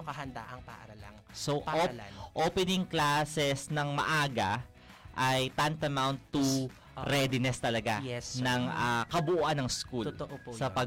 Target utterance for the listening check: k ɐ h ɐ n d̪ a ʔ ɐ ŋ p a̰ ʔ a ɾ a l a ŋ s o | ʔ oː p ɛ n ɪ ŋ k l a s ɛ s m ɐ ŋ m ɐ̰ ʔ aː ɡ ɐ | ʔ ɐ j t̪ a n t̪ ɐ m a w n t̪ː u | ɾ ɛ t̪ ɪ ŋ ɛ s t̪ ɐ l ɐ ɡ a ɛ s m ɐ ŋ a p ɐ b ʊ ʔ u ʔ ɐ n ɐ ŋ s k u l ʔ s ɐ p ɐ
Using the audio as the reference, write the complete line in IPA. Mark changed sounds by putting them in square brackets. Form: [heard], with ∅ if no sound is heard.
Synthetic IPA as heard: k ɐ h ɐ n d̪ a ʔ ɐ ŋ p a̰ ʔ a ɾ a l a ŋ s o | ʔ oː p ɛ n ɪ ŋ k l a s ɛ s [n] ɐ ŋ m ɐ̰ ʔ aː ɡ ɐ | ʔ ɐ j t̪ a n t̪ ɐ m a w n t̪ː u | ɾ ɛ [d̪] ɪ [n] ɛ s t̪ ɐ l ɐ ɡ a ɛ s [n] ɐ ŋ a [k] ɐ b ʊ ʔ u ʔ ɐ n ɐ ŋ s k u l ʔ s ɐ p ɐ